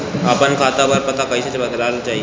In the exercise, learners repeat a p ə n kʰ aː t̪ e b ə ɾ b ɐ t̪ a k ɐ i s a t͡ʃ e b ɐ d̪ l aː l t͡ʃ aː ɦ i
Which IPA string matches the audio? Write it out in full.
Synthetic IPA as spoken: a p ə n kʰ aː t̪ a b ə ɾ p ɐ t̪ a k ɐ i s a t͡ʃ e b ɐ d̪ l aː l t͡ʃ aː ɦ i